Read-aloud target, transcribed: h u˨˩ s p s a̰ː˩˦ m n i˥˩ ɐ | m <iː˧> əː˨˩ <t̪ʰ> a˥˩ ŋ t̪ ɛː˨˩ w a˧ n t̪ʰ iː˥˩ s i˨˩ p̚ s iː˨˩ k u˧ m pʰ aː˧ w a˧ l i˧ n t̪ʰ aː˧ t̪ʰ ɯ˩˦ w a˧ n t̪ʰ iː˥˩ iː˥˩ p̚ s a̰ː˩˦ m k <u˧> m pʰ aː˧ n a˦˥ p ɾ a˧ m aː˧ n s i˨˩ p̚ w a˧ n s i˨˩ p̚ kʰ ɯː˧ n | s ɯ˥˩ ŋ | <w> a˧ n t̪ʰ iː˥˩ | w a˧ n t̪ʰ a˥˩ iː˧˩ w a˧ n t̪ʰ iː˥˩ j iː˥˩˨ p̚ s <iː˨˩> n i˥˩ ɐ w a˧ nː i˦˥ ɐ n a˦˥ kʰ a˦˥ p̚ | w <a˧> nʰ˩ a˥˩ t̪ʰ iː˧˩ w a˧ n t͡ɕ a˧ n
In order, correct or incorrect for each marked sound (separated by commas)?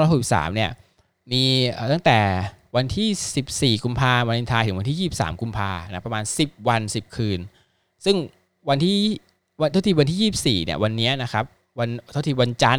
correct, incorrect, correct, correct, correct, correct